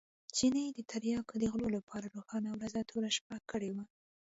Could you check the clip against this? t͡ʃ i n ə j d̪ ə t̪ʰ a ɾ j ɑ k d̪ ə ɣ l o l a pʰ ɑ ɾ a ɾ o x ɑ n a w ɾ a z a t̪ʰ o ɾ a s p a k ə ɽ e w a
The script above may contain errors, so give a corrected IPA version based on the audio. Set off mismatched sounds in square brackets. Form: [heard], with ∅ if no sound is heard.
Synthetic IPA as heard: t͡ʃ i n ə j d̪ ə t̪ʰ a ɾ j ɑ k d̪ ə ɣ l o l a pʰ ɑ ɾ a ɾ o x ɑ n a w ɾ a z a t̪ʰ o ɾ a [ʃ] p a k ə ɽ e w a